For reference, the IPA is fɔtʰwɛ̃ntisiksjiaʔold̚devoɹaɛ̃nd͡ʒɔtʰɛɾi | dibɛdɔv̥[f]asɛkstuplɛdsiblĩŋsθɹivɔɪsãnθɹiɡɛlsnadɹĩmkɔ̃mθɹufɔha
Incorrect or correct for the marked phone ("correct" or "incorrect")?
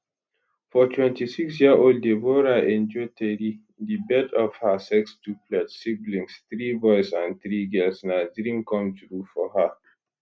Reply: incorrect